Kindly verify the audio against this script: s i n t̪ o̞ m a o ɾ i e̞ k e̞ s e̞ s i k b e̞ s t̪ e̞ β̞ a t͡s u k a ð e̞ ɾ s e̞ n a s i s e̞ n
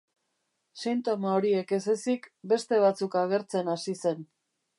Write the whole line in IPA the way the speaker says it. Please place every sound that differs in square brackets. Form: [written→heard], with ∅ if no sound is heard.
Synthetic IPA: s i n t̪ o̞ m a o ɾ i e̞ k e̞ s e̞ s i k b e̞ s t̪ e̞ β̞ a t͡s u k a [ð→ɣ] e̞ ɾ [s→t͡s] e̞ n a s i s e̞ n